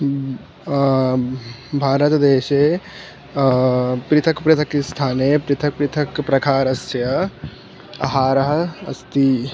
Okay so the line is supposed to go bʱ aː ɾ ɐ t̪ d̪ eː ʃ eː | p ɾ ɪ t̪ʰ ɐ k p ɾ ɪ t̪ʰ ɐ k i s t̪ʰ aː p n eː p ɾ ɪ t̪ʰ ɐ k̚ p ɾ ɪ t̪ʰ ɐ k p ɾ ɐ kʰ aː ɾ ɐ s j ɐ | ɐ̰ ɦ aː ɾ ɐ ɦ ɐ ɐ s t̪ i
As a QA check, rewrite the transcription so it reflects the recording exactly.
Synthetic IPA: bʱ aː ɾ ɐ t̪ d̪ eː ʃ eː | p ɾ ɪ t̪ʰ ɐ k p ɾ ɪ t̪ʰ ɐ k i s t̪ʰ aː n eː p ɾ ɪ t̪ʰ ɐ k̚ p ɾ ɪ t̪ʰ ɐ k p ɾ ɐ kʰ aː ɾ ɐ s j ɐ | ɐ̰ ɦ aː ɾ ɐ ɦ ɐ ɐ s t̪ i

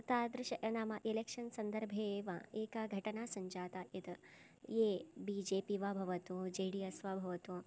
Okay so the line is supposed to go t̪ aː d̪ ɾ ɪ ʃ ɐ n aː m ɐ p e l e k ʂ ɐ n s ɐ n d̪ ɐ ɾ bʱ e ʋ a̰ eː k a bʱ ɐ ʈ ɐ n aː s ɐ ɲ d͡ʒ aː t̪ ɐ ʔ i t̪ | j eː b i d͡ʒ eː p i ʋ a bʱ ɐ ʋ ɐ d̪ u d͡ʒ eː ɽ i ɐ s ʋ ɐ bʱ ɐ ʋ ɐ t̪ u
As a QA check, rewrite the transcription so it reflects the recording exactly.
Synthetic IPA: t̪ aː d̪ ɾ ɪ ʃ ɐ n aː m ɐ ʔ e l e k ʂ ɐ n s ɐ n d̪ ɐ ɾ bʱ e ʋ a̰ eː k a ɡʱ ɐ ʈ ɐ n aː s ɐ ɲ d͡ʒ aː t̪ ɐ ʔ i t̪ | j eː b i d͡ʒ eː p i ʋ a bʱ ɐ ʋ ɐ t̪ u d͡ʒ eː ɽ i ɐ s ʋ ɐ bʱ ɐ ʋ ɐ t̪ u

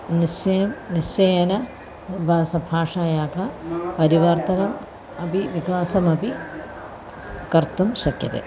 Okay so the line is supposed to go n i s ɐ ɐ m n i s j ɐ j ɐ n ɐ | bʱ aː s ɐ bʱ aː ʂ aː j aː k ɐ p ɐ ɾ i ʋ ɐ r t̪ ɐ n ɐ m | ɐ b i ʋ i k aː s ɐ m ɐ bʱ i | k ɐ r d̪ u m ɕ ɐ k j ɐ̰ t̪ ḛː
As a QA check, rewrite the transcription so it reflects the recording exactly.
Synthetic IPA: n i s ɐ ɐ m n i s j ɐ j ɐ n ɐ | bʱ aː s ɐ bʱ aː ʂ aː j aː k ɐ p ɐ ɾ i ʋ ɐ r t̪ ɐ n ɐ m | ɐ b i ʋ i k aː s ɐ m ɐ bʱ i | k ɐ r t̪ u m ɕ ɐ k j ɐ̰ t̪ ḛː

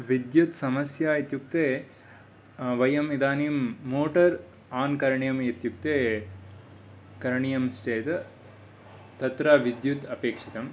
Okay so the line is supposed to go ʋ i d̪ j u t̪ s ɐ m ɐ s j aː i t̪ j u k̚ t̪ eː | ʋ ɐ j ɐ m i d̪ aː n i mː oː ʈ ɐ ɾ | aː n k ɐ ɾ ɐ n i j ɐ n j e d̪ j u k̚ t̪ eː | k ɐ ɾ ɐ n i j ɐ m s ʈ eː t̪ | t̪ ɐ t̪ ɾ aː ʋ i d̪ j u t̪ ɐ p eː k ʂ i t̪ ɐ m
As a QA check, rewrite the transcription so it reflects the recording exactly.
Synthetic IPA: ʋ i d̪ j u t̪ s ɐ m ɐ s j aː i t̪ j u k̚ t̪ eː | ʋ ɐ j ɐ m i d̪ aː n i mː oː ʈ ɐ ɾ | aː n k ɐ ɾ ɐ ɳ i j ɐ m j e t̪ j u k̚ t̪ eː | k ɐ ɾ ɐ ɳ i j ɐ m s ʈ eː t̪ | t̪ ɐ t̪ ɾ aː ʋ i d̪ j u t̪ ɐ p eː k ʂ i t̪ ɐ m

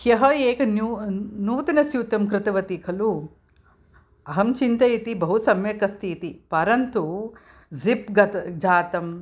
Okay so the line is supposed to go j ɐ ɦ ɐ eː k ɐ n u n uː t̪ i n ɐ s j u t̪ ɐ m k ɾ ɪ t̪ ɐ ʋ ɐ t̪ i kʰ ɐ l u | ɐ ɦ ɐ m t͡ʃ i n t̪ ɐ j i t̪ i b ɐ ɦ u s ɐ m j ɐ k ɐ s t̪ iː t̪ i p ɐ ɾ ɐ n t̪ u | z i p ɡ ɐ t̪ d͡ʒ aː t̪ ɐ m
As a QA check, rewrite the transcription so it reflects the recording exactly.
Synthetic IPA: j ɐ ɦ ɐ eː k ɐ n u n uː t̪ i n ɐ s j u t̪ ɐ m k ɾ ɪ t̪ ɐ ʋ ɐ t̪ i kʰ ɐ l u | ɐ ɦ ɐ m t͡ʃ i n t̪ ɐ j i t̪ i b ɐ ɦ u s ɐ m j ɐ k ɐ s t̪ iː t̪ i p ɐ ɾ ɐ n t̪ u | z i p ɡ ɐ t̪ d͡ʒ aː t̪ ɐ m

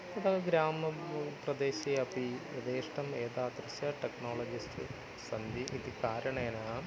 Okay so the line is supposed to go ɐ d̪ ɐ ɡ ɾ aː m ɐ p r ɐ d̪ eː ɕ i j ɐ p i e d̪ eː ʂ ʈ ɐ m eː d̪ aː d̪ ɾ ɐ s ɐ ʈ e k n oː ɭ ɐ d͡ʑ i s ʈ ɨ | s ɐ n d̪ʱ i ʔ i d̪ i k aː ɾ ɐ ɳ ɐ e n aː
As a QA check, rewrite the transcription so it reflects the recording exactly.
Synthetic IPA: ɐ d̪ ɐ ɡ ɾ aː m ɐ p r ɐ d̪ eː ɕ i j ɐ p i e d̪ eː ʂ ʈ ɐ m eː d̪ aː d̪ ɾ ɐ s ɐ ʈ e k n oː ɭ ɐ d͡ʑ i s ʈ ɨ | s ɐ n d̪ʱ i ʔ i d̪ i k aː ɾ ɐ ɳ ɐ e n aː

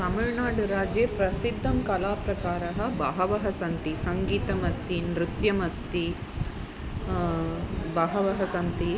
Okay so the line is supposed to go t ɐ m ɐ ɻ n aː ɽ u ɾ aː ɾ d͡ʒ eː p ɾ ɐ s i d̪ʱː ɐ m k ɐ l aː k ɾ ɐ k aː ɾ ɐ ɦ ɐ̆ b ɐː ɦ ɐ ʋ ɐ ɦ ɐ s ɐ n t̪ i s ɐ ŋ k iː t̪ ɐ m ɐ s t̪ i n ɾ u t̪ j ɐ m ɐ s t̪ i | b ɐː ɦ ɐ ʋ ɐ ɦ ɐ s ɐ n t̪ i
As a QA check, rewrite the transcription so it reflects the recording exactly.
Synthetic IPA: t ɐ m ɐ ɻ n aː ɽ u ɾ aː d͡ʒ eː p ɾ ɐ s i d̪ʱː ɐ m k ɐ l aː p ɾ ɐ k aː ɾ ɐ ɦ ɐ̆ b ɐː ɦ ɐ ʋ ɐ ɦ ɐ s ɐ n t̪ i s ɐ ŋ ɡ iː t̪ ɐ m ɐ s t̪ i n ɾ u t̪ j ɐ m ɐ s t̪ i | b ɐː ɦ ɐ ʋ ɐ ɦ ɐ s ɐ n t̪ i

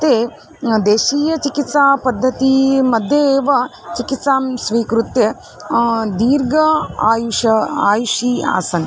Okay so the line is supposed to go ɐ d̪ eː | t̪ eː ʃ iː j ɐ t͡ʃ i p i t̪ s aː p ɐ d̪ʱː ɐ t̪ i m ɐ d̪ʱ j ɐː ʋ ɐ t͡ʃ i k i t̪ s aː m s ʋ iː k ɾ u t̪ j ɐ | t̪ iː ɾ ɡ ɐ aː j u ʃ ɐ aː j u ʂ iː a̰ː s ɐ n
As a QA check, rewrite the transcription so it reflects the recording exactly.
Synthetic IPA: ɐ t̪ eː | d̪ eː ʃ iː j ɐ t͡ʃ i k i t̪ s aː p ɐ d̪ʱː ɐ t̪ i m ɐ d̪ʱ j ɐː ʋ ɐ t͡ʃ i k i t̪ s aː m s ʋ iː k ɾ u t̪ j ɐ | d̪ iː ɾ ɡ ɐ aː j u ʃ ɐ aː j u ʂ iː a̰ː s ɐ n

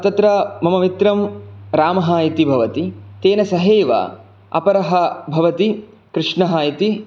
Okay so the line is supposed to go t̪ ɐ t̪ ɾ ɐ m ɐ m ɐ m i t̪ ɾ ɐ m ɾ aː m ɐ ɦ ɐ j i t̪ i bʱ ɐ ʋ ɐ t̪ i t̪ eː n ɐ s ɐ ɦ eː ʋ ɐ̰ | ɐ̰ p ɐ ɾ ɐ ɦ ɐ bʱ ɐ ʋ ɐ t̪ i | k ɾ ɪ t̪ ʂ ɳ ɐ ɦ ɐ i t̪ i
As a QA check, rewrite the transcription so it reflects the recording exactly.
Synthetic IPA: t̪ ɐ t̪ ɾ ɐ m ɐ m ɐ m i t̪ ɾ ɐ m ɾ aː m ɐ ɦ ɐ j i t̪ i bʱ ɐ ʋ ɐ t̪ i t̪ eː n ɐ s ɐ ɦ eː ʋ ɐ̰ | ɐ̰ p ɐ ɾ ɐ ɦ ɐ bʱ ɐ ʋ ɐ t̪ i | k ɾ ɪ ʂ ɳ ɐ ɦ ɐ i t̪ i

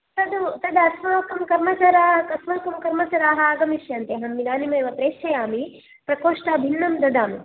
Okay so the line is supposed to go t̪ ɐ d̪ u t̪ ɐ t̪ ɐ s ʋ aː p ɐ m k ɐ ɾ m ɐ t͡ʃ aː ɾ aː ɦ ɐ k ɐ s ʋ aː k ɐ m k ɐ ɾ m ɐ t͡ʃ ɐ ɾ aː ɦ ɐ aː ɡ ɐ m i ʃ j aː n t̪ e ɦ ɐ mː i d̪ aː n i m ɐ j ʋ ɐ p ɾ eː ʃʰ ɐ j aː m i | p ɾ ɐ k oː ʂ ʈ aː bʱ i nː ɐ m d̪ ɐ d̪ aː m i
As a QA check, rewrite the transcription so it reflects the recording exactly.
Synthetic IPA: t̪ ɐ d̪ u t̪ ɐ d̪ ɐ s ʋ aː k ɐ m k ɐ ɾ m ɐ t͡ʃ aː ɾ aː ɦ ɐ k ɐ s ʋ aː k ɐ m k ɐ ɾ m ɐ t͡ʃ ɐ ɾ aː ɦ ɐ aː ɡ ɐ m i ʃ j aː n t̪ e ɦ ɐ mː i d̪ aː n i m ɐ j ʋ ɐ p ɾ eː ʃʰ ɐ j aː m i | p ɾ ɐ k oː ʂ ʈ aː bʱ i nː ɐ m d̪ ɐ d̪ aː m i

